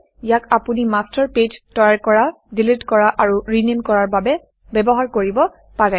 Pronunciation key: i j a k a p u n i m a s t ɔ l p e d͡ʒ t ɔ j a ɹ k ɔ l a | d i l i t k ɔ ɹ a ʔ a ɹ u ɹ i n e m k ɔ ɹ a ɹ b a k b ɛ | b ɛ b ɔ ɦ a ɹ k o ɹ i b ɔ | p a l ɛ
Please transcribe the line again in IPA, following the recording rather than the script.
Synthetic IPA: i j a k a p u n i m a s t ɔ ɹ p e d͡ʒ t ɔ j a ɹ k ɔ ɹ a | d i l i t k ɔ ɹ a ʔ a ɹ u ɹ i n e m k ɔ ɹ a ɹ b a b ɛ | b ɛ b ɔ ɦ a ɹ k o ɹ i b ɔ | p a ɹ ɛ